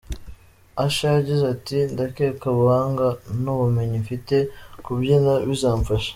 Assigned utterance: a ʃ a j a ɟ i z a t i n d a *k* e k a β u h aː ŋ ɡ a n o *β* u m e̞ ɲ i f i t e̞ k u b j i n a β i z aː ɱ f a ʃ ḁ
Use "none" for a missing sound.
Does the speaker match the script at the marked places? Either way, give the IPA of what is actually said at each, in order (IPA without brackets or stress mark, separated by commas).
k, β